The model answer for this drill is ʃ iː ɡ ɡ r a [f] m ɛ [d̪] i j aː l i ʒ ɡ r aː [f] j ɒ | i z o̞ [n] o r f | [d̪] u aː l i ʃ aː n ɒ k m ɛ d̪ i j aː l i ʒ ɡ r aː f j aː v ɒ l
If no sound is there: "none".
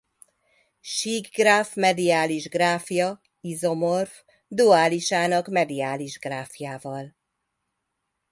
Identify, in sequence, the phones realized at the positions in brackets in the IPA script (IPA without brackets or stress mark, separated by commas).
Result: f, d̪, f, m, d̪